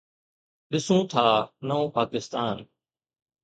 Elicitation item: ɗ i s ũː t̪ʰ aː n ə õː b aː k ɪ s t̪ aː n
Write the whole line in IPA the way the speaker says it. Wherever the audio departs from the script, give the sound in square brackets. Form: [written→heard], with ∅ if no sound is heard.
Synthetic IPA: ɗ [i→ɪ] s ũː t̪ʰ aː n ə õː [b→p] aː k ɪ s t̪ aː n